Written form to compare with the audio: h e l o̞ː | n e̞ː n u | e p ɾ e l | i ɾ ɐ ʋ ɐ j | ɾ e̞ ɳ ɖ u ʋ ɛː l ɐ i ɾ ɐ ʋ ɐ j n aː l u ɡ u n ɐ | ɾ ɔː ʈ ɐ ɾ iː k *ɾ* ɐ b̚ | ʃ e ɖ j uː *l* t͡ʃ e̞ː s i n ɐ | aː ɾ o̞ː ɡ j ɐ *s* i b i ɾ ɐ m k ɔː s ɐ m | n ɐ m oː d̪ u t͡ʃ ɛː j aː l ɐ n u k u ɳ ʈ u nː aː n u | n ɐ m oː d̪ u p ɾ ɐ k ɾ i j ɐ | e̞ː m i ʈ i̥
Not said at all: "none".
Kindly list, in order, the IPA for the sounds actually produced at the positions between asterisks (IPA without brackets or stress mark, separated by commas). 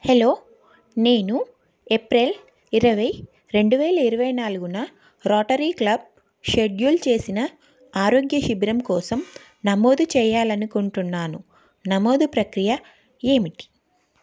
l, l, ʃ